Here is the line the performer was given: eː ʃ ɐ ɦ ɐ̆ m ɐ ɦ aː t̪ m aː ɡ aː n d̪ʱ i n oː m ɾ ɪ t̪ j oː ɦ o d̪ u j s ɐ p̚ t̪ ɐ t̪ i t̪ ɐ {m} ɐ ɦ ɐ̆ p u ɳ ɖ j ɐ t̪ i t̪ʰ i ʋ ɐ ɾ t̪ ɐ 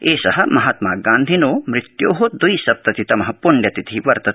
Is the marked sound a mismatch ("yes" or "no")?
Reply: no